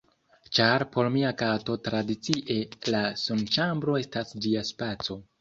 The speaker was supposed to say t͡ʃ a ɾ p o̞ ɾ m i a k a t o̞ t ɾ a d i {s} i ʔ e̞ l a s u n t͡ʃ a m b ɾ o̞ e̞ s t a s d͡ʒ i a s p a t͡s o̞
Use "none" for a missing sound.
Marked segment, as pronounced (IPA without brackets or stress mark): t͡s